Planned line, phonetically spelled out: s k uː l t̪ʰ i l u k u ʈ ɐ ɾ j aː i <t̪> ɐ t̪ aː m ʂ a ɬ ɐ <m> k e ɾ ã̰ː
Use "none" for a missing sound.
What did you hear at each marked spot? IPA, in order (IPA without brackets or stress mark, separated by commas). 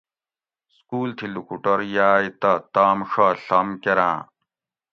t̪, m